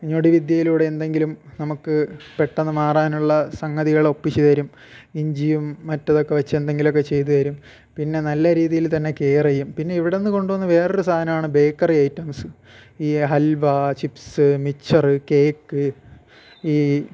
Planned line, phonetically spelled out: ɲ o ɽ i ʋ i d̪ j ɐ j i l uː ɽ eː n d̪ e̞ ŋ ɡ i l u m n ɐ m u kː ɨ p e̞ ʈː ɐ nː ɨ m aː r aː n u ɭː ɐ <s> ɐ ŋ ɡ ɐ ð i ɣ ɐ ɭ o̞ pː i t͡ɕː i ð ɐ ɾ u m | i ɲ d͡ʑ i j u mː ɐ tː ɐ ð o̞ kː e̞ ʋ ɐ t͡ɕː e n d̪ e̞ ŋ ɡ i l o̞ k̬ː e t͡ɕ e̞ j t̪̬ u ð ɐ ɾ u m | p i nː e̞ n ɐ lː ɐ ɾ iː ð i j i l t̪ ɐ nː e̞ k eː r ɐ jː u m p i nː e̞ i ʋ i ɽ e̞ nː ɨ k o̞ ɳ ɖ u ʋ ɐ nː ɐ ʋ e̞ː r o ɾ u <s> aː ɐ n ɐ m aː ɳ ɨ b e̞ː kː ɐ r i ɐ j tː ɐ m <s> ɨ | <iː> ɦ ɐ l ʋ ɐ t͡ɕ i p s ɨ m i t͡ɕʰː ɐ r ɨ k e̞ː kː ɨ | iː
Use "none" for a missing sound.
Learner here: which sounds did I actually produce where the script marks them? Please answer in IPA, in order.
s, s, s, iː

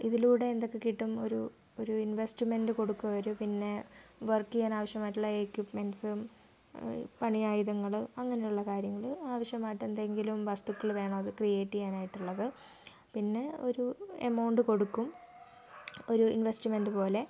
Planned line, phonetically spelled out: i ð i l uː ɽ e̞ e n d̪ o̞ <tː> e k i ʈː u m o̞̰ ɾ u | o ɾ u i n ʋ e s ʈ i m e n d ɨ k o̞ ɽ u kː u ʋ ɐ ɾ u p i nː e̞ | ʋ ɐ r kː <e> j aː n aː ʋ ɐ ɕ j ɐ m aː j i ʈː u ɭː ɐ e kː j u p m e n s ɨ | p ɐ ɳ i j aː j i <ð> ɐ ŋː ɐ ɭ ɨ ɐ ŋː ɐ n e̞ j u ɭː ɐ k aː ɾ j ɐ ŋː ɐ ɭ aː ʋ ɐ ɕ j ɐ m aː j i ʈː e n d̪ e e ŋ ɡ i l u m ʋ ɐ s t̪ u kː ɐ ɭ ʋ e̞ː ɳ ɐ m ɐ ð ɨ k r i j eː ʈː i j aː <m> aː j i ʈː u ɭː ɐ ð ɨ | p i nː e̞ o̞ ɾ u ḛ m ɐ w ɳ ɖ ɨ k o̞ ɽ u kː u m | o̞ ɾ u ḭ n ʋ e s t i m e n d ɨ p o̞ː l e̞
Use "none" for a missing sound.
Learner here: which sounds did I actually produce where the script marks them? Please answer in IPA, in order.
kː, i, ð, n

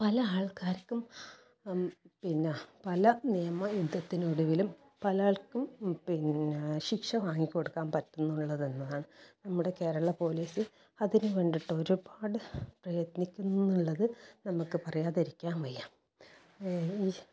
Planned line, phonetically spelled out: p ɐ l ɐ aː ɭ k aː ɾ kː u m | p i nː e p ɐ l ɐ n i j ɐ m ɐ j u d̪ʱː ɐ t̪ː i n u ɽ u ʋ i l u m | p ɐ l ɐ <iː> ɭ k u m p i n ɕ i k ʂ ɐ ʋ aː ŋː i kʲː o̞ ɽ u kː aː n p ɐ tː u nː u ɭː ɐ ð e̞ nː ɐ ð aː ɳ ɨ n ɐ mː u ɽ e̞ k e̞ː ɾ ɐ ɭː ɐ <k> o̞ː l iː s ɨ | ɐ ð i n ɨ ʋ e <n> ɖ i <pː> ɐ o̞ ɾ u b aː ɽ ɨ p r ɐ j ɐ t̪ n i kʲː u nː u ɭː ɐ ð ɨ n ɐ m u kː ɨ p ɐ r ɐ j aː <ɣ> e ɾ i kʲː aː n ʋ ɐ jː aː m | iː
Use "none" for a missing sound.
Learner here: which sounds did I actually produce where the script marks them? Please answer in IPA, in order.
aː, p, ɳ, ʈː, ð

